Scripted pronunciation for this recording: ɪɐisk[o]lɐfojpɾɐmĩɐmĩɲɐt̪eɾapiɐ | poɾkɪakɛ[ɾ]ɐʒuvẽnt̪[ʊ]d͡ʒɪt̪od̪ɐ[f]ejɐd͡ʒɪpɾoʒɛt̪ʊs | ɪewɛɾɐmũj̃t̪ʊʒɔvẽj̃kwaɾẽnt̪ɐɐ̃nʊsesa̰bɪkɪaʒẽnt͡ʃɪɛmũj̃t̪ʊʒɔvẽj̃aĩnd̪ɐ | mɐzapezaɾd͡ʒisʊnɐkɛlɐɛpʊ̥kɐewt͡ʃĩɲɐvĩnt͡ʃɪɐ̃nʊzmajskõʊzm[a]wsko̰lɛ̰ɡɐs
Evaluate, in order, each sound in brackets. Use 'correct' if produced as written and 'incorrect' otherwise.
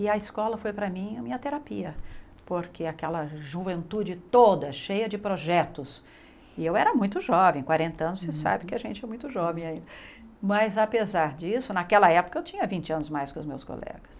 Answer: incorrect: ɔ, incorrect: l, incorrect: u, incorrect: ʃ, incorrect: e

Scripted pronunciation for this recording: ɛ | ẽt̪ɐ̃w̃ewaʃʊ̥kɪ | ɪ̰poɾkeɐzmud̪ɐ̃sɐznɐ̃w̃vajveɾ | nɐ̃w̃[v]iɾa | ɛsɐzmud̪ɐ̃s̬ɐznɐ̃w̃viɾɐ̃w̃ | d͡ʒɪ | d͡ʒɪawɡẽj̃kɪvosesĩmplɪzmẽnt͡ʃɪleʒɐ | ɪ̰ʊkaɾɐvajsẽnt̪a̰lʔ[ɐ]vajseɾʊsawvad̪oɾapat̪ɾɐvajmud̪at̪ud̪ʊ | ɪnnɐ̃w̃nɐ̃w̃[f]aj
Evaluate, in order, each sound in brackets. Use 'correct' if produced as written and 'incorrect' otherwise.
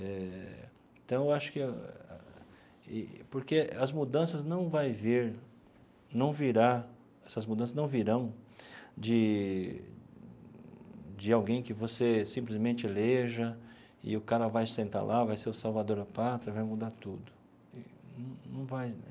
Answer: correct, incorrect: a, incorrect: v

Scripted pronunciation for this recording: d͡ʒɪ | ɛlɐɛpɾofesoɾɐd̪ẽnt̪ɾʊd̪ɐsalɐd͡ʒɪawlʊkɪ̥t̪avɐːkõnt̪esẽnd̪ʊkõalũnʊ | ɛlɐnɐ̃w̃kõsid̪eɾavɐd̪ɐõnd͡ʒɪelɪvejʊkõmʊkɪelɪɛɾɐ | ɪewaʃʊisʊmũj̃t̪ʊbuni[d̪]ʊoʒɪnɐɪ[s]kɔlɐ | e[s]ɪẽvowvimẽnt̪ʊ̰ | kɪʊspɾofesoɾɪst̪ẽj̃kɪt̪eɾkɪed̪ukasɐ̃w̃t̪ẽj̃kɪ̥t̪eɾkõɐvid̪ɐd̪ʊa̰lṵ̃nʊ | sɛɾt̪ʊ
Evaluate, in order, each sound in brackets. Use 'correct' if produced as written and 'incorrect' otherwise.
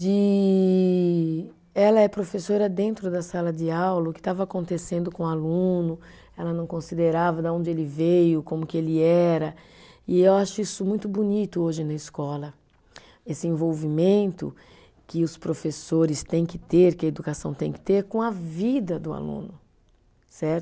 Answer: incorrect: t̪, correct, correct

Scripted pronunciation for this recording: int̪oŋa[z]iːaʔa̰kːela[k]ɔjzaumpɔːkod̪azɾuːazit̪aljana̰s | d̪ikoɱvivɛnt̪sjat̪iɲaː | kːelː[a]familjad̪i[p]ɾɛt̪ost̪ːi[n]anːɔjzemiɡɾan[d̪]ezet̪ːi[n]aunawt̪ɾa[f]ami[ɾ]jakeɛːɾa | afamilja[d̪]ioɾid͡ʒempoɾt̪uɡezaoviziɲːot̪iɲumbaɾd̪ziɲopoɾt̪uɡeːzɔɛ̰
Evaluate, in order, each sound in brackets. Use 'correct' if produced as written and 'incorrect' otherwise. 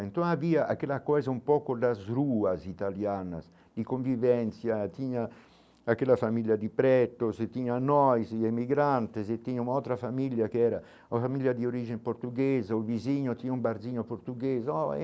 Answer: incorrect: v, correct, correct, correct, incorrect: ɲ, incorrect: t̪, incorrect: ɲ, correct, incorrect: l, correct

